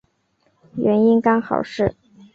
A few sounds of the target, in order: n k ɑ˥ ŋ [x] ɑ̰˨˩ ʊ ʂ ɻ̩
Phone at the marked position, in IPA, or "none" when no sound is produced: x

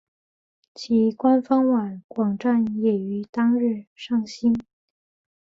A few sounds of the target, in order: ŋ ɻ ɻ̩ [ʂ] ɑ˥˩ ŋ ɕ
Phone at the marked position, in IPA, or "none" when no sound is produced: ʂ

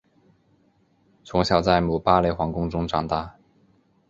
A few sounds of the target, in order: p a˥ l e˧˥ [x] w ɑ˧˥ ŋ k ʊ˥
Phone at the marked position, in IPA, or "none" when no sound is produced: x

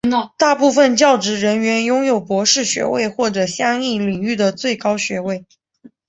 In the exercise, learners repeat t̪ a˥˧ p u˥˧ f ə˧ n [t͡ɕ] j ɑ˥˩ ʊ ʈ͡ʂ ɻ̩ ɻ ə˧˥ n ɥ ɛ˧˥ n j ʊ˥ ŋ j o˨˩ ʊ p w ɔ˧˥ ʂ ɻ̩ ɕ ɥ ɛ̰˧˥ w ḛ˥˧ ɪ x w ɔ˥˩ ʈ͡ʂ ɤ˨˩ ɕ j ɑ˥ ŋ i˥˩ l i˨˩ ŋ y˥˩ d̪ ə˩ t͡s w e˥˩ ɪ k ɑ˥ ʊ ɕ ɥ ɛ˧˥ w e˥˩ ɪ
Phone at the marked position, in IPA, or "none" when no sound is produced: t͡ɕ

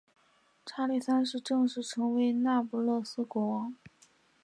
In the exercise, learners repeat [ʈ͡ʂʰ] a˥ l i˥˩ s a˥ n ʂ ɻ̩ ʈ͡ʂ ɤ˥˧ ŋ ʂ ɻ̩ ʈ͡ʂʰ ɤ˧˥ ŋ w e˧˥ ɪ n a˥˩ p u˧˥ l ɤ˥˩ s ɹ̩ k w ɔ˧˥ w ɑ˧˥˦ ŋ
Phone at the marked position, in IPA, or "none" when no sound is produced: ʈ͡ʂʰ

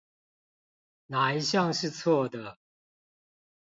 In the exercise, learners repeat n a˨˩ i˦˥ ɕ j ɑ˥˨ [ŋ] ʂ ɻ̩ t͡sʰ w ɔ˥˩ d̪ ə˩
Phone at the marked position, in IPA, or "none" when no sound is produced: ŋ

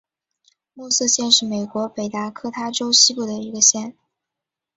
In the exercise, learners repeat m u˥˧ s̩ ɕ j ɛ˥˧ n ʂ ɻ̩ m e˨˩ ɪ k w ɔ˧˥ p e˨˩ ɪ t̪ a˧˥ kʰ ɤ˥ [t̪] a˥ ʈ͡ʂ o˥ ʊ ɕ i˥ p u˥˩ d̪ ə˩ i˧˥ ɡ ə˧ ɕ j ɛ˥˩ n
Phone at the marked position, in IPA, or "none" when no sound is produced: t̪ʰ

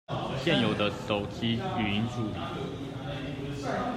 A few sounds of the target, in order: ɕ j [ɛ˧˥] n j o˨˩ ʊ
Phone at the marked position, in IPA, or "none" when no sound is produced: ɛ˥˩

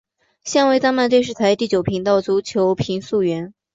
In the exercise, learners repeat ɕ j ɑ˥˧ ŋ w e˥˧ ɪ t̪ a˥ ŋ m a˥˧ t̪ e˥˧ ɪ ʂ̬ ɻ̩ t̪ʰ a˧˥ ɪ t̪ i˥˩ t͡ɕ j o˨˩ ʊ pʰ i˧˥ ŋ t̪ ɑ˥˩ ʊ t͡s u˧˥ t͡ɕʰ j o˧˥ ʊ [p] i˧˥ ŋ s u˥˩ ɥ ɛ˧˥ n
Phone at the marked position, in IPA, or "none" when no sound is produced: pʰ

